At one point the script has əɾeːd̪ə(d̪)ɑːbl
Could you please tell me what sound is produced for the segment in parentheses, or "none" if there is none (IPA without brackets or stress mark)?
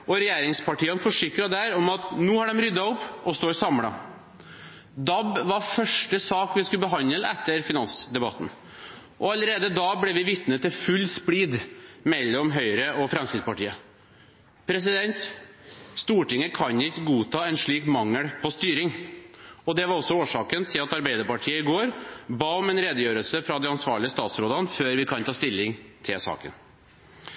d̪